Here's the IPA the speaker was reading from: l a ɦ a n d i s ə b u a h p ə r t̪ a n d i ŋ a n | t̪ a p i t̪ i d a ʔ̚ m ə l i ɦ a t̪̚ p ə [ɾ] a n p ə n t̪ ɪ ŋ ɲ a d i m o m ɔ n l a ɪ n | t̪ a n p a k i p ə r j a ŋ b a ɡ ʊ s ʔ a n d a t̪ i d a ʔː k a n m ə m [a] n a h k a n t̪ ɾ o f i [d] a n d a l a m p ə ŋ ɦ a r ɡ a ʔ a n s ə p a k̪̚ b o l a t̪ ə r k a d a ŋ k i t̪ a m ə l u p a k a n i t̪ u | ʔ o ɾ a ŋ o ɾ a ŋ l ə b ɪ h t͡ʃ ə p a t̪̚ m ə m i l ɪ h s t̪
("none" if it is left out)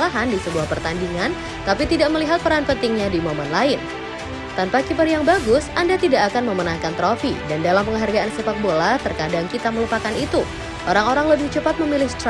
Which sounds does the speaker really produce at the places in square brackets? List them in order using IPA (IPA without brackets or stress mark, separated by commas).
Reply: ɾ, ə, d